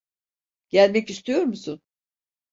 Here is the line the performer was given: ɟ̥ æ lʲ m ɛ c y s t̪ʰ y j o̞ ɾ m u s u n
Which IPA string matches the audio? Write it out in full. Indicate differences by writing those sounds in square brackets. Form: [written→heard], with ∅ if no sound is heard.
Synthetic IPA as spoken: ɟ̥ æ lʲ m ɛ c [y→i] s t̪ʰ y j o̞ ɾ m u s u n